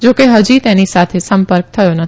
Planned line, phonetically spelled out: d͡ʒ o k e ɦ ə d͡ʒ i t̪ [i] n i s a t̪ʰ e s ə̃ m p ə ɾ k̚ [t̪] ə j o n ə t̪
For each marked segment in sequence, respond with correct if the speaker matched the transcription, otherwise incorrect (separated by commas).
incorrect, incorrect